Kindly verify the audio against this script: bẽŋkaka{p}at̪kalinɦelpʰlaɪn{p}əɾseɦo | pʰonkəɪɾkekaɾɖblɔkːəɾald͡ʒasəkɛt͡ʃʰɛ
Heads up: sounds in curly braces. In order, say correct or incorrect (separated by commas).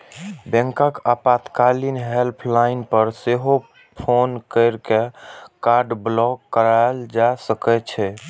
correct, correct